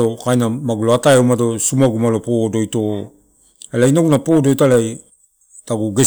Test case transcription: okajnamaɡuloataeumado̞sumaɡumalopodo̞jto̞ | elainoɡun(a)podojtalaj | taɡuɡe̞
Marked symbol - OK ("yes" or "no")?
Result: yes